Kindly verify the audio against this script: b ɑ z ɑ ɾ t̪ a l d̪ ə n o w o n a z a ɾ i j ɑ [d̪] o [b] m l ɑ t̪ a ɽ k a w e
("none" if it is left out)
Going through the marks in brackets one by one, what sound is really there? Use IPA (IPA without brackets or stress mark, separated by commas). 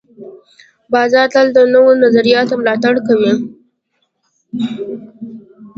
t̪, none